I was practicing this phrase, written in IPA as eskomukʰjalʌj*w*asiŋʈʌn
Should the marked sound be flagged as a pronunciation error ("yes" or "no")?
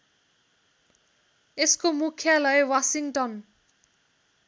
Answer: no